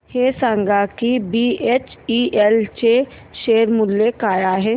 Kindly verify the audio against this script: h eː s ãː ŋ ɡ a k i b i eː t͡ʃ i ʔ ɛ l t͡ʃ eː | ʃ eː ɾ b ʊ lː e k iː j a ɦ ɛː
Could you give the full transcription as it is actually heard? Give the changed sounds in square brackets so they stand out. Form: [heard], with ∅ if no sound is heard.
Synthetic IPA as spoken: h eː s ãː ŋ ɡ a k i b i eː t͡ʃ i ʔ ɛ l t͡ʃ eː | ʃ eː ɾ [m] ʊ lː e k [aː] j a ɦ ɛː